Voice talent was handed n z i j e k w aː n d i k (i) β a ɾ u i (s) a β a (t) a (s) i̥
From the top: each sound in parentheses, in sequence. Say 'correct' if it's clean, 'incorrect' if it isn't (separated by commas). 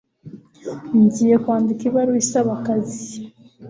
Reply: correct, correct, incorrect, incorrect